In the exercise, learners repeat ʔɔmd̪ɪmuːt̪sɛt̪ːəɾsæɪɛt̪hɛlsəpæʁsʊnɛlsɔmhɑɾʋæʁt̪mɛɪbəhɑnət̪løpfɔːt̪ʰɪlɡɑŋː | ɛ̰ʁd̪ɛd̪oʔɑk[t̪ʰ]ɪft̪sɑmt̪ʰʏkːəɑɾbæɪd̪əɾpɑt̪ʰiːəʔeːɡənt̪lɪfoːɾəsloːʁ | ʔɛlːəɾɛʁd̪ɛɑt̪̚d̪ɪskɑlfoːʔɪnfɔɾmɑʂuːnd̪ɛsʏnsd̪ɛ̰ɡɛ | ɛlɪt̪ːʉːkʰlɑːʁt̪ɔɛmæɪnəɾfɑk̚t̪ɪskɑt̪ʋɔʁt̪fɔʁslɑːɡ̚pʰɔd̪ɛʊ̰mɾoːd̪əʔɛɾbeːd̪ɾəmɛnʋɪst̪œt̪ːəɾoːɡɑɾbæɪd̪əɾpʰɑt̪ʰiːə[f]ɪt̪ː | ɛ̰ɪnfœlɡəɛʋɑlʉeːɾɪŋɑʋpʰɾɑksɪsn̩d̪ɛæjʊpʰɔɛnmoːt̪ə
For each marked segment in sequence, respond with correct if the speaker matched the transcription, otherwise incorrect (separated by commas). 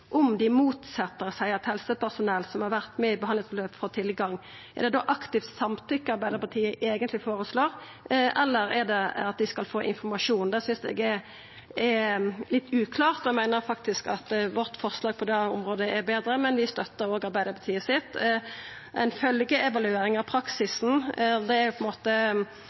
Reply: incorrect, incorrect